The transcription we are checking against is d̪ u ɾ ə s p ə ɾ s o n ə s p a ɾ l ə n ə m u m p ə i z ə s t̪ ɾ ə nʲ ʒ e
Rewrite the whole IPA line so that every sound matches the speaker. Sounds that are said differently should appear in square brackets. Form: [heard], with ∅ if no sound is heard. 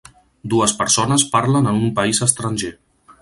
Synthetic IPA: d̪ u [∅] ə s p ə ɾ s o n ə s p a ɾ l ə n ə [n] u m p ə i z ə s t̪ ɾ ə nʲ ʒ e